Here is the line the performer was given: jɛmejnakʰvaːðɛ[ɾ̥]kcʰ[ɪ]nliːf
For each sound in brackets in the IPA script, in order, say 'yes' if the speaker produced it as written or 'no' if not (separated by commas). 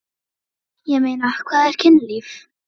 yes, yes